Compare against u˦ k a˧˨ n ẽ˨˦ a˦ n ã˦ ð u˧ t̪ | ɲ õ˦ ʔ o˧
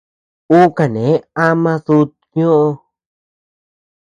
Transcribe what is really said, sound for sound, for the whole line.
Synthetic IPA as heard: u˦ k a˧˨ n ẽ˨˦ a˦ m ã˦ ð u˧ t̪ | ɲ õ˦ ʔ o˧